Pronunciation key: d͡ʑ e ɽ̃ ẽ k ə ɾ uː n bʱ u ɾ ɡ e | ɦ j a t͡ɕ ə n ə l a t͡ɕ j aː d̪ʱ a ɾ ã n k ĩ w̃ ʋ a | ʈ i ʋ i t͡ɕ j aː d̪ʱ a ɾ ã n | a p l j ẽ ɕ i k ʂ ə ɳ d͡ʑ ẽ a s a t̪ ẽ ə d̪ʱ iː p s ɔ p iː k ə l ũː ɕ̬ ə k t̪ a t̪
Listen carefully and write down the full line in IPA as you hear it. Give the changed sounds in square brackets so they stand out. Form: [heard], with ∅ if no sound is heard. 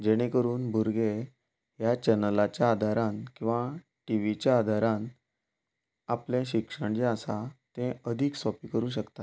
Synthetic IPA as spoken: d͡ʑ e ɽ̃ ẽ k ə ɾ uː n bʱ u ɾ ɡ e | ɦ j a t͡ɕ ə n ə l a t͡ɕ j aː d̪ʱ a ɾ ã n k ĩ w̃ ʋ a | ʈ i ʋ i t͡ɕ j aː d̪ʱ a ɾ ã n | a p l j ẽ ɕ i k ʂ ə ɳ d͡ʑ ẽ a s a t̪ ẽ ə d̪ʱ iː [k] s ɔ p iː k ə [ɾ] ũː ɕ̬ ə k t̪ a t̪